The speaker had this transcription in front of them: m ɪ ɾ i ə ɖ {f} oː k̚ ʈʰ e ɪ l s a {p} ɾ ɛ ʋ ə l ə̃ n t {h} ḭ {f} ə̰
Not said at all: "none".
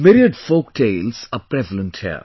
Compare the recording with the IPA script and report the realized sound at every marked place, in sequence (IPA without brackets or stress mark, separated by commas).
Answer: f, p, h, none